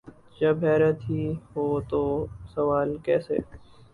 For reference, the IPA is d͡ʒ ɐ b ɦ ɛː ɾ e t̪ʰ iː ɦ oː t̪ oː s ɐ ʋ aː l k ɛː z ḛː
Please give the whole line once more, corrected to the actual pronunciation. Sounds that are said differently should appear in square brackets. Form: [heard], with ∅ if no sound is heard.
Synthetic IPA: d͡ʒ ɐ b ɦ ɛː ɾ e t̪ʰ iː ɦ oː t̪ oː s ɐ ʋ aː l k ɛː [s] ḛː